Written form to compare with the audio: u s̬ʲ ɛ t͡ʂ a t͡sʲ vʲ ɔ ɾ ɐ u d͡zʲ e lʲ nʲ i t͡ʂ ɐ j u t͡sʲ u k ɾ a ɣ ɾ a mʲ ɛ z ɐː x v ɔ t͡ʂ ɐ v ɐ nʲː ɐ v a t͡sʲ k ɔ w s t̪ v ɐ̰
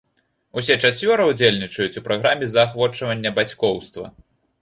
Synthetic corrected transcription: u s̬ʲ ɛ t͡ʂ a t͡sʲ vʲ ɔ ɾ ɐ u d͡zʲ e lʲ nʲ i t͡ʂ ɐ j u t͡sʲ u p ɾ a ɣ ɾ a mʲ ɛ z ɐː x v ɔ t͡ʂ ɐ v ɐ nʲː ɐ b a t͡sʲ k ɔ w s t̪ v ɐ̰